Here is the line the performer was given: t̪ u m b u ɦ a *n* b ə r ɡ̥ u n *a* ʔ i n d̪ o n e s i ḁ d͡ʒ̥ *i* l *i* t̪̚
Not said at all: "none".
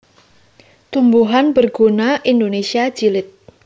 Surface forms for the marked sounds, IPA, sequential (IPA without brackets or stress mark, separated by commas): n, a, i, ɪ